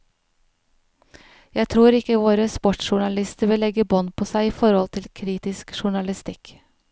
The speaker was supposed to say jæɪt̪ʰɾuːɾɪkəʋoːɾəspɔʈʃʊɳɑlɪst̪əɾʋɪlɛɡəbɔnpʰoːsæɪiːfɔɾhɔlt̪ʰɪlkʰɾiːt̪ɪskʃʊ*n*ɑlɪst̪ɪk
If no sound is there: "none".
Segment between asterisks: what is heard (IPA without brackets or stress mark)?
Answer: ɳ